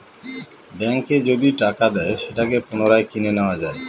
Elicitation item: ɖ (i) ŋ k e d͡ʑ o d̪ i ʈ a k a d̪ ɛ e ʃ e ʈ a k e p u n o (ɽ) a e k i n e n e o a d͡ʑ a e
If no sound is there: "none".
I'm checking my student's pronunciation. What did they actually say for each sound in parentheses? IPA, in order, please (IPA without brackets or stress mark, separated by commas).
ɛ, ɾ